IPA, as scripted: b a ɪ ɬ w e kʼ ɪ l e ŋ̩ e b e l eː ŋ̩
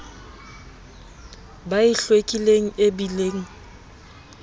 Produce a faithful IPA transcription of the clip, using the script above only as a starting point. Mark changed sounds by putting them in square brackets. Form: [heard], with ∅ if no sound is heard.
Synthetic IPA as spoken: b a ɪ ɬ w e kʼ [i] l e ŋ̩ e b [i] l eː ŋ̩